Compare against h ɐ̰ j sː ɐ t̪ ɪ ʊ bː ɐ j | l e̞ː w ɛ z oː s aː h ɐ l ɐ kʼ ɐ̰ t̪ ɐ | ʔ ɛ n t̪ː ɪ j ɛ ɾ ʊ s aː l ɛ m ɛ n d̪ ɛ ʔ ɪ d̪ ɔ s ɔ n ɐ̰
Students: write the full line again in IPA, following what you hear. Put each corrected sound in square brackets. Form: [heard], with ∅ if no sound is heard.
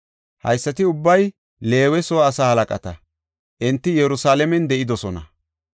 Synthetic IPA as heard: h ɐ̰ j sː ɐ t̪ ɪ ʊ bː ɐ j | l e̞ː w ɛ [s] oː s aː h ɐ l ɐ kʼ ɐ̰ t̪ ɐ | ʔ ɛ n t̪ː ɪ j ɛ ɾ ʊ s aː l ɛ m ɛ n d̪ ɛ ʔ ɪ d̪ ɔ s ɔ n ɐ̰